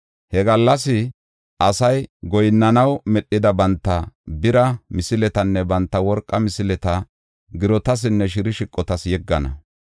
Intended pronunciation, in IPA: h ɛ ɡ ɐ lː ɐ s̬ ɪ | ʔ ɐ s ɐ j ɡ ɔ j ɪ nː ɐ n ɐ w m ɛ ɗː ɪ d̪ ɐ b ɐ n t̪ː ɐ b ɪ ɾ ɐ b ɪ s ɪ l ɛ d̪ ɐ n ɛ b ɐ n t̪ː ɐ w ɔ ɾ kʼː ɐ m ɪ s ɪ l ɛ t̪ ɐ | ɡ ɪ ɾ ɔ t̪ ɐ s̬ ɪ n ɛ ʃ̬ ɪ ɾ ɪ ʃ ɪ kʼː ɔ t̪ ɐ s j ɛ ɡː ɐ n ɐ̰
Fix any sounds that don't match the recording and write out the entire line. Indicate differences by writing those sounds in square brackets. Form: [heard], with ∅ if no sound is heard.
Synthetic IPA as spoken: h ɛ ɡ ɐ lː ɐ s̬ ɪ | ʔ ɐ s ɐ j ɡ ɔ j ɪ nː ɐ n ɐ w m ɛ ɗː ɪ d̪ ɐ b ɐ n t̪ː ɐ b ɪ ɾ ɐ [m] ɪ s ɪ l ɛ [t̪] ɐ [nː] ɛ b ɐ n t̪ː ɐ w ɔ ɾ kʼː ɐ m ɪ s ɪ l ɛ t̪ ɐ | ɡ ɪ ɾ ɔ t̪ ɐ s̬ ɪ [nː] ɛ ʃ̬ ɪ ɾ ɪ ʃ ɪ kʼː ɔ t̪ ɐ s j ɛ ɡː ɐ n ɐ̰